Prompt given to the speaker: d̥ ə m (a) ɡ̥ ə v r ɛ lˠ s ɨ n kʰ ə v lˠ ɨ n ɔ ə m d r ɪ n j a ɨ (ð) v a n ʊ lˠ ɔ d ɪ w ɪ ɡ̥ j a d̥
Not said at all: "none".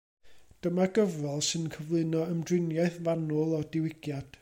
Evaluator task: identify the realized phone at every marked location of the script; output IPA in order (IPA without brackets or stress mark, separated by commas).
a, θ